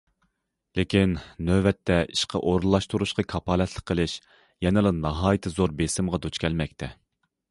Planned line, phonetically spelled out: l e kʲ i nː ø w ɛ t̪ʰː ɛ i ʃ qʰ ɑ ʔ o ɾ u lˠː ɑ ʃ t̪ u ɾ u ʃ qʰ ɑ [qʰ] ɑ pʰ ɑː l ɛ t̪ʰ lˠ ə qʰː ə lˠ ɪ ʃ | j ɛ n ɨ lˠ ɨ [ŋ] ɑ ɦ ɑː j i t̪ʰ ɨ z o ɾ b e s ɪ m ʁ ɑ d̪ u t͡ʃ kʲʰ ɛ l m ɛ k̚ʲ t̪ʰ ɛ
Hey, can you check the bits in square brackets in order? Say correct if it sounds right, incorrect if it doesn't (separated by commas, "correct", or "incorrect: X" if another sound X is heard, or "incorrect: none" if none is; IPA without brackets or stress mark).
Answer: incorrect: kʰ, incorrect: n